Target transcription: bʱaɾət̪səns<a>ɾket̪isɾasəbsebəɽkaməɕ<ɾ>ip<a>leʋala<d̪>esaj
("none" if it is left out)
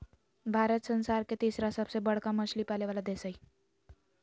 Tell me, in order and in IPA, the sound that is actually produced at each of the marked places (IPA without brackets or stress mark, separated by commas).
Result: a, l, a, d̪